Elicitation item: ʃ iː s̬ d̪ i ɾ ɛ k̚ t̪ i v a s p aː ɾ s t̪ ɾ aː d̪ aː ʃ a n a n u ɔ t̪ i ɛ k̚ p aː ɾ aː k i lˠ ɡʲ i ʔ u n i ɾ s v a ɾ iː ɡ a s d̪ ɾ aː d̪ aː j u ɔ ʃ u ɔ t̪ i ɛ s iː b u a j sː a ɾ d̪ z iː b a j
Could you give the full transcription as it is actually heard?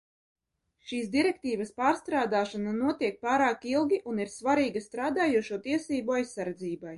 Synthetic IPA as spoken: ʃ iː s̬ d̪ i ɾ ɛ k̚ t̪ iː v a s p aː ɾ s t̪ ɾ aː d̪ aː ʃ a n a n u ɔ t̪ i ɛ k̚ p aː ɾ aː k i lˠ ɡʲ i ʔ u n i ɾ s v a ɾ iː ɡ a s t̪ ɾ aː d̪ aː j u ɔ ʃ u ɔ t̪ i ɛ s iː b u a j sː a ɾ d̪ z iː b a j